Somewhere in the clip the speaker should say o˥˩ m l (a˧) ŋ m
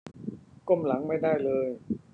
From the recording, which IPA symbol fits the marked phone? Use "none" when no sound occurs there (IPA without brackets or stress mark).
a˩˦